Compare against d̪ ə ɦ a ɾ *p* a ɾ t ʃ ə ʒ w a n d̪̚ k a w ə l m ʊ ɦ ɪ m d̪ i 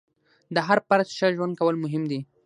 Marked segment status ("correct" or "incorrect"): correct